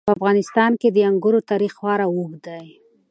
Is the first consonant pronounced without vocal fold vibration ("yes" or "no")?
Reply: yes